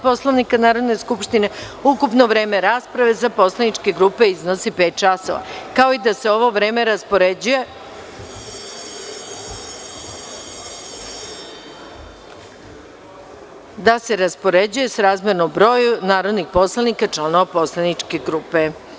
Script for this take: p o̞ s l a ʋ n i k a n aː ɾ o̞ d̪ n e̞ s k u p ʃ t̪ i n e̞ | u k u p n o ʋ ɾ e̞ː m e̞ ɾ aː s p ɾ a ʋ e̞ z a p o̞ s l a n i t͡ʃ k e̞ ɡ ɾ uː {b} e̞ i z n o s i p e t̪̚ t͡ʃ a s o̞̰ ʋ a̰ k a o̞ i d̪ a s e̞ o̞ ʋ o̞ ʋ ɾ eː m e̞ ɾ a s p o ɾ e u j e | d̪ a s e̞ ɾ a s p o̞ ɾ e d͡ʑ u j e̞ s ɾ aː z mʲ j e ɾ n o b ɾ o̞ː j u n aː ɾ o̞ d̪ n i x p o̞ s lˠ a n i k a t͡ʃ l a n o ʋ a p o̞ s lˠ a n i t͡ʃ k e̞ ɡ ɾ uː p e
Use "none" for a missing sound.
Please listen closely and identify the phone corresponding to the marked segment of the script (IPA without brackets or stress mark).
p